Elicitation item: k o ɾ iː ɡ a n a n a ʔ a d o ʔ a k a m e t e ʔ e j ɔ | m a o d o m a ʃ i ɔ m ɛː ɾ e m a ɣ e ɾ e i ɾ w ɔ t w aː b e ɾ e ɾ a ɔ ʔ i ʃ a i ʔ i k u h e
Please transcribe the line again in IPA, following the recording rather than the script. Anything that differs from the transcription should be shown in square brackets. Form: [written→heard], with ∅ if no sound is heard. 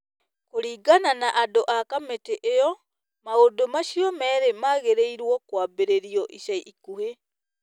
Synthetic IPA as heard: k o ɾ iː ɡ a n a n a ʔ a d o ʔ a k a m e t e ʔ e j ɔ | m a o d o m a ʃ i ɔ m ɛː ɾ e m a ɣ e ɾ e i ɾ w ɔ [t→k] w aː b e ɾ e ɾ [a→i] ɔ ʔ i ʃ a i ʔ i k u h e